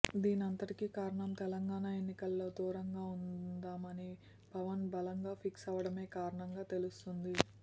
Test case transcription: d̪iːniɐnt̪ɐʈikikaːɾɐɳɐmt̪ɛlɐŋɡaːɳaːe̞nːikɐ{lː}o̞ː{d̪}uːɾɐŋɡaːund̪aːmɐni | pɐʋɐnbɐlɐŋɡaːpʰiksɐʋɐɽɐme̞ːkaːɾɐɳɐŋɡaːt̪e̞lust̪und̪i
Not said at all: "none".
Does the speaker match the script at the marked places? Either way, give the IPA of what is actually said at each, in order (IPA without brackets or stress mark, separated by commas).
lː, d̪